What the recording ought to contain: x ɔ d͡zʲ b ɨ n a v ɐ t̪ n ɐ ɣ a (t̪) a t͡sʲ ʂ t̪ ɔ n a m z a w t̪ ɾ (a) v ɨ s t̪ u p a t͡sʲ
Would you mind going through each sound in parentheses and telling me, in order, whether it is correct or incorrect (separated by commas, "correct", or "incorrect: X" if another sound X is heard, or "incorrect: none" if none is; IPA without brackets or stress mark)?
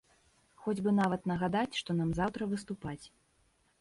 incorrect: d̪, incorrect: ɐ